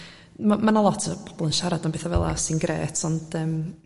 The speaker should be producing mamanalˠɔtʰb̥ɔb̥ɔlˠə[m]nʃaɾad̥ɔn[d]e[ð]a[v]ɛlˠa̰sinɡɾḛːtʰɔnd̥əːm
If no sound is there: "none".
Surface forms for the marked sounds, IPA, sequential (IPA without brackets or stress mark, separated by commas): none, b, θ, v